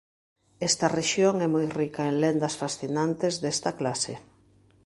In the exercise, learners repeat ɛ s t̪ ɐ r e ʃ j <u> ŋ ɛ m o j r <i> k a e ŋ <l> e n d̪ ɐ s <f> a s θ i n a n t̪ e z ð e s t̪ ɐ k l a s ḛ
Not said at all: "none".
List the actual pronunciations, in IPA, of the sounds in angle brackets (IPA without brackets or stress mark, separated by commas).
o, i, l, f